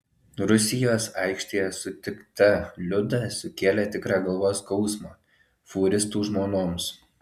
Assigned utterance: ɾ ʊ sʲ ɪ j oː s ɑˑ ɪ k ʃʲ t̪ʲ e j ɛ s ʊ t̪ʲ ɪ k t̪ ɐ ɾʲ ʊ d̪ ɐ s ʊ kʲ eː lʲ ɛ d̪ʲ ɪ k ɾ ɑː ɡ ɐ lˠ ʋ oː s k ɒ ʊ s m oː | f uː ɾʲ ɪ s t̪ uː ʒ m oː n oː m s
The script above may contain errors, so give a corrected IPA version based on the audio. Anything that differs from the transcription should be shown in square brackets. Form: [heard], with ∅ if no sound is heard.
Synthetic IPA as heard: ɾ ʊ sʲ ɪ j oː s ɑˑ ɪ k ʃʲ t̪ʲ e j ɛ s ʊ t̪ʲ ɪ k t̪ ɐ [lʲ] ʊ d̪ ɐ s ʊ kʲ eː lʲ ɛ [t̪ʲ] ɪ k ɾ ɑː ɡ ɐ lˠ ʋ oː s k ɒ ʊ s m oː | f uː ɾʲ ɪ s t̪ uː ʒ m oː n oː m s